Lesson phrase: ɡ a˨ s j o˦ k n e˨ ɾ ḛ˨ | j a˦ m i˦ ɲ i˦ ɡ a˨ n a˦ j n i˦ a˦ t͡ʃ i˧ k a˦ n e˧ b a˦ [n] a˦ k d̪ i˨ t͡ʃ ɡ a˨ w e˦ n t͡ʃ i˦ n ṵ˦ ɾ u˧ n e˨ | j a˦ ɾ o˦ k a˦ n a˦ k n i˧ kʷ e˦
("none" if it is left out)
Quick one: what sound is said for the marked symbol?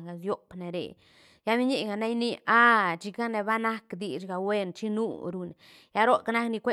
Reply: n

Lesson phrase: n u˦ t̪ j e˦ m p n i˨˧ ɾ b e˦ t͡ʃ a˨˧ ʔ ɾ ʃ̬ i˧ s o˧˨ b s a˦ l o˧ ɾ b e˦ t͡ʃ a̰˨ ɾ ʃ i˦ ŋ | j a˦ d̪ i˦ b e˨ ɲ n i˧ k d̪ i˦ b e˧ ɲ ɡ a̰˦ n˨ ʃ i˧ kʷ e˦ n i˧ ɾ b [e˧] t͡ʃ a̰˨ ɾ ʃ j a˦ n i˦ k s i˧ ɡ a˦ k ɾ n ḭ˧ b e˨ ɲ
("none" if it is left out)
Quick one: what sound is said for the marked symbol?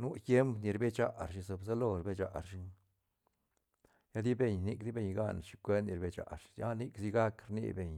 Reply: e˧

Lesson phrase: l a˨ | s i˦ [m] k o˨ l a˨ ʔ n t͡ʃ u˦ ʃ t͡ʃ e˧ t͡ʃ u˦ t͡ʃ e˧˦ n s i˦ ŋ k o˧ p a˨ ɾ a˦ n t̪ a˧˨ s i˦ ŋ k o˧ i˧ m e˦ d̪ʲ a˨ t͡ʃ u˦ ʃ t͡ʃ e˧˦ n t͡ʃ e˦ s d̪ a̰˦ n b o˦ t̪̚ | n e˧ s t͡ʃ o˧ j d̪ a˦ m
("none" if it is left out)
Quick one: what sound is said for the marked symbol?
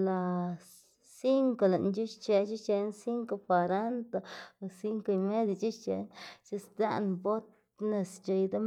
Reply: ŋ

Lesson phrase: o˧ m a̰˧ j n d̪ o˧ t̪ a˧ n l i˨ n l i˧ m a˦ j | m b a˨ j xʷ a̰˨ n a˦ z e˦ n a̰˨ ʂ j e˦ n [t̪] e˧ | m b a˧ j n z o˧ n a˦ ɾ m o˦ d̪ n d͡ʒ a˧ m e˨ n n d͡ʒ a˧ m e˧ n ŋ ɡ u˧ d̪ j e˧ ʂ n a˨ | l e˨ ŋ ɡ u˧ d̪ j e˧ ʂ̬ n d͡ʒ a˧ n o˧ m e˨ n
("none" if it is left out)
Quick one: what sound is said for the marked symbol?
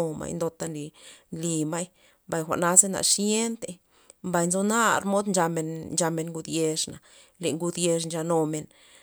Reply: t̪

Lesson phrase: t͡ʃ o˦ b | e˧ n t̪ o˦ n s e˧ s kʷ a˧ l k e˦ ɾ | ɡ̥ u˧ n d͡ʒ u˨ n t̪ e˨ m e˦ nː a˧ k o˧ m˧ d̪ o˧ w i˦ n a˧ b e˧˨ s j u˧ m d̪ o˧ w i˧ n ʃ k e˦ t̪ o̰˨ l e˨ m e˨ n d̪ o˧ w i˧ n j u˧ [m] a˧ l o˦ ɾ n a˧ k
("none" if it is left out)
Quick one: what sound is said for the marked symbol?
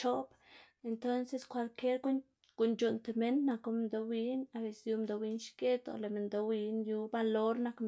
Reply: b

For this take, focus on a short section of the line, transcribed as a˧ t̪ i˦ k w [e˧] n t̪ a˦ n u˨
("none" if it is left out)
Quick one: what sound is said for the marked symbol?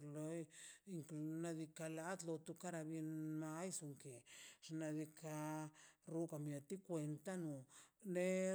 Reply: e˧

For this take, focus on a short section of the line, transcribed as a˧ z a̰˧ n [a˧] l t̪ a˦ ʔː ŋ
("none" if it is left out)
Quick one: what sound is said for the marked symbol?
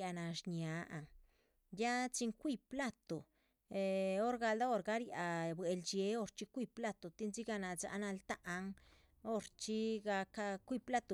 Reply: a˧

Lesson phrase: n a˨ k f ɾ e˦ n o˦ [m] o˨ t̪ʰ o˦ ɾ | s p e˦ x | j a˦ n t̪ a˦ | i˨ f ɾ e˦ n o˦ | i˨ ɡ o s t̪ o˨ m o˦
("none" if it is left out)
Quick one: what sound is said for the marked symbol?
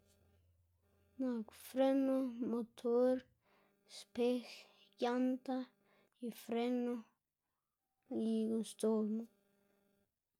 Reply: m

